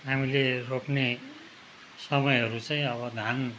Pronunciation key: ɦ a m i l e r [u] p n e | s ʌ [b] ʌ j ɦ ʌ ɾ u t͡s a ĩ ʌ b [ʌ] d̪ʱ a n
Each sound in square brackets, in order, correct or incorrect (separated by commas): incorrect, incorrect, correct